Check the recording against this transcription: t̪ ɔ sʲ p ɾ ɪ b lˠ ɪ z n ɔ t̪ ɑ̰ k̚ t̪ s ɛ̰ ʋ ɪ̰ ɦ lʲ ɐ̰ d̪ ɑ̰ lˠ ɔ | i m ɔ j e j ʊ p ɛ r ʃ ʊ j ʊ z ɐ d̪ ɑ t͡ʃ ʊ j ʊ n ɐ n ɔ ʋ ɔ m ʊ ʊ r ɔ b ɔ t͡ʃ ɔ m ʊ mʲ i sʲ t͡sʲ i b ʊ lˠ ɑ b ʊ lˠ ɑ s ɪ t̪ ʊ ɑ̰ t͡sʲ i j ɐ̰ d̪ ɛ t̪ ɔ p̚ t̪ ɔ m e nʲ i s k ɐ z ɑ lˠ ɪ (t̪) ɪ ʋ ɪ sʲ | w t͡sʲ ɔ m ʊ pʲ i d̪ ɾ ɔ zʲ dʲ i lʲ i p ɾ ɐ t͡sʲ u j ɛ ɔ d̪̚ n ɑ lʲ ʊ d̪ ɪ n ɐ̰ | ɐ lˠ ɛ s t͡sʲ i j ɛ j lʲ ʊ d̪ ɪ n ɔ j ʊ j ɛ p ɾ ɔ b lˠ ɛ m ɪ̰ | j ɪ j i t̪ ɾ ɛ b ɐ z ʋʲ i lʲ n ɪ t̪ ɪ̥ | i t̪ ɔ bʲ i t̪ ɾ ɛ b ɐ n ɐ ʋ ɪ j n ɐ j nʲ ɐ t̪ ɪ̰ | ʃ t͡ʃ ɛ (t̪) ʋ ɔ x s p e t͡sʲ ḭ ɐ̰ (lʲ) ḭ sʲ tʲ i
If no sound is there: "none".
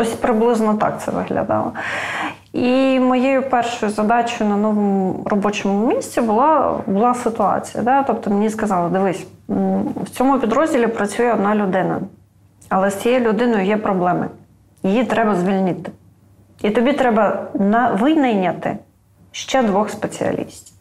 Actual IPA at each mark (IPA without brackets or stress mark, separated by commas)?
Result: d̪, d̪, lʲ